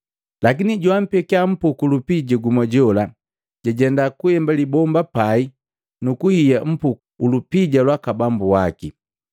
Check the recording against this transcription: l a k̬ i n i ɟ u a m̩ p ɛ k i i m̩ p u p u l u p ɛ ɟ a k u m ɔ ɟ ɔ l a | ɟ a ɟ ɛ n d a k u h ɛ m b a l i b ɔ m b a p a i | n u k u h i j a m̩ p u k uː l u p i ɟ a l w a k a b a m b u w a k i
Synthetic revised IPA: l a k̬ i n i ɟ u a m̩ p ɛ k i a m̩ p u k u l u p i ɟ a ɡ u m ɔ ɟ ɔ l a | ɟ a ɟ ɛ n d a k u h ɛ m b a l i b ɔ m b a p a i | n u k u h i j a m̩ p u k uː l u p i ɟ a l w a k a b a m b u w a k i